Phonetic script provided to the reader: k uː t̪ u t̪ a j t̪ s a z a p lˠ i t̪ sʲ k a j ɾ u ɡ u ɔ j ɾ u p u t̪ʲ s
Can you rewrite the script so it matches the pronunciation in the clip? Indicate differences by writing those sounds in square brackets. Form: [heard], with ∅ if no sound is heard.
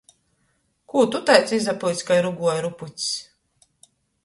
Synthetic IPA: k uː t̪ u t̪ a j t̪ s [i] z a p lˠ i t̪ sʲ k a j ɾ u ɡ u ɔ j ɾ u p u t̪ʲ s